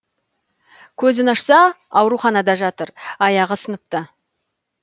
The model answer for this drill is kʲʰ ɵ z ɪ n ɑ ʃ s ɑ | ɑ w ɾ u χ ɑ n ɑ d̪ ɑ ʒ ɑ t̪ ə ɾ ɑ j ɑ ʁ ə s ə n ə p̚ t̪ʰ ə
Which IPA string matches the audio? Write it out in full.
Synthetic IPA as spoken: kʲʰ ɵ z ɪ n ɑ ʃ s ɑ | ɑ w ɾ u χ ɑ n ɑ d̪ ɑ ʒ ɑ t̪ ə ɾ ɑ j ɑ ʁ ə s ə n ə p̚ t̪ ə